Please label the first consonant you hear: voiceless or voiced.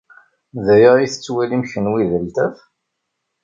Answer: voiced